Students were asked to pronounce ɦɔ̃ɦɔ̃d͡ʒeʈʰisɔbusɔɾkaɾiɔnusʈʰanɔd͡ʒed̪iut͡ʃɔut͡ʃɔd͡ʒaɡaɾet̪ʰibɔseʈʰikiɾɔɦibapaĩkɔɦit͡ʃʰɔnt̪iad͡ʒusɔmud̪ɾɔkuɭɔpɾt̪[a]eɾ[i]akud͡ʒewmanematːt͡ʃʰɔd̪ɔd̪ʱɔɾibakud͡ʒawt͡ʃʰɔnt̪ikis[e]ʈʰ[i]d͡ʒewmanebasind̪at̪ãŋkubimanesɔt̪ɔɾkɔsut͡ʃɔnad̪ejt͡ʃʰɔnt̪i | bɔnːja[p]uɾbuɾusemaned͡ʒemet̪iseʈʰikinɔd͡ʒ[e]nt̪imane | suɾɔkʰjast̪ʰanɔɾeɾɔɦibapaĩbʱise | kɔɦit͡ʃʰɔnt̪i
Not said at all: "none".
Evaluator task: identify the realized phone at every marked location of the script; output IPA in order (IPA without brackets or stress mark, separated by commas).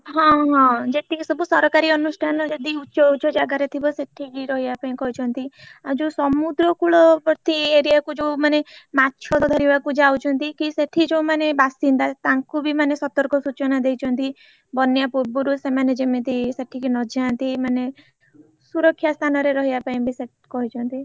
i, i, e, i, p, a